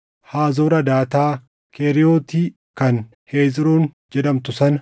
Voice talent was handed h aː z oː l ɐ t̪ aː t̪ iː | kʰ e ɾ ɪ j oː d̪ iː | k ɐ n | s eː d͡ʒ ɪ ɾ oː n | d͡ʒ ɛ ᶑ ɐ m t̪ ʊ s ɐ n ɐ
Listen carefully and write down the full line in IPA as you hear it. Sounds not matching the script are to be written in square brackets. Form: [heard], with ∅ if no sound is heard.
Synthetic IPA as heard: h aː z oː [ɾ] ɐ [d̪] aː t̪ [aː] | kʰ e ɾ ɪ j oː [t̪] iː | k ɐ n | [h] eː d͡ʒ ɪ ɾ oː n | d͡ʒ ɛ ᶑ ɐ m t̪ ʊ s ɐ n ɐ